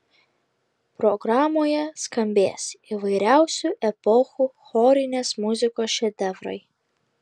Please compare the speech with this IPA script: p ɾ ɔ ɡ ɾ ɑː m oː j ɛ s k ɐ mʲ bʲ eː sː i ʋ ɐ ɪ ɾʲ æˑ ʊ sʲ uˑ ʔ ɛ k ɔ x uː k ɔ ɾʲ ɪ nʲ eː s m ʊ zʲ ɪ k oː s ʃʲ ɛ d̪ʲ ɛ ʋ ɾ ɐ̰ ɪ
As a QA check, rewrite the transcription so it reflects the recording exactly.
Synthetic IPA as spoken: p ɾ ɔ ɡ ɾ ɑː m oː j ɛ s k ɐ mʲ bʲ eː s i ʋ ɐ ɪ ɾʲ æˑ ʊ sʲ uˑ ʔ ɛ p ɔ x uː x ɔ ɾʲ ɪ nʲ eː s m ʊ zʲ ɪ k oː s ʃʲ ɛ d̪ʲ ɛ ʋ ɾ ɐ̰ ɪ